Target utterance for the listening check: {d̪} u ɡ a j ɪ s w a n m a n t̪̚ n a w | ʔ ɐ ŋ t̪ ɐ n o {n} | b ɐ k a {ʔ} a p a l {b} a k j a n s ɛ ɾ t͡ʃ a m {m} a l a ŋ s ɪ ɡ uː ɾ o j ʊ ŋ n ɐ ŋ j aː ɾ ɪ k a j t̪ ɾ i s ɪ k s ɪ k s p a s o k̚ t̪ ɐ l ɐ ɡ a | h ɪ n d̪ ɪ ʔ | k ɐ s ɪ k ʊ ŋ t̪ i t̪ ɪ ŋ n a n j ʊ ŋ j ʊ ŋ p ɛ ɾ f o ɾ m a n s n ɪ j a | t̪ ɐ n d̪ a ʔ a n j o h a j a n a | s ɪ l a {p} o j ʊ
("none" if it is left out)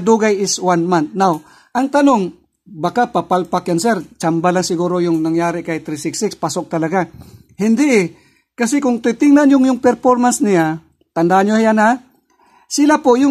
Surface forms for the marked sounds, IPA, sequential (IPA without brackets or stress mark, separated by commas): d̪, ŋ, p, p, b, p